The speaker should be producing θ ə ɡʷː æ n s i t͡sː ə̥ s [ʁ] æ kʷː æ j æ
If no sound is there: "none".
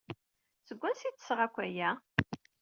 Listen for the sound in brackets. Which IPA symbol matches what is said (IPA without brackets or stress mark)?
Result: ʁ